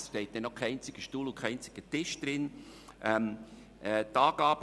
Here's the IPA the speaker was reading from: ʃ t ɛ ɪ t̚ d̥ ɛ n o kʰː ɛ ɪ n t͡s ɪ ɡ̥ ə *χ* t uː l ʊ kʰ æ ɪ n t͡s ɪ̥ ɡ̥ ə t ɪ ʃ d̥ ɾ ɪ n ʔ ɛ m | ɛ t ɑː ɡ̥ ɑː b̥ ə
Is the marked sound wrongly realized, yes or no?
yes